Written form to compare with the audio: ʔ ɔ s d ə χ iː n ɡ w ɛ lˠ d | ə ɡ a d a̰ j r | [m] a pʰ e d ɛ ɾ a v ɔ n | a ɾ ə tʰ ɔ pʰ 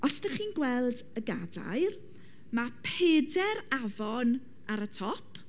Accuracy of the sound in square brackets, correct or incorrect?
correct